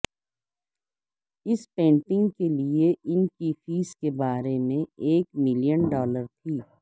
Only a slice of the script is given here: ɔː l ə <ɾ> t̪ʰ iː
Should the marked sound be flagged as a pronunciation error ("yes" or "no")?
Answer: no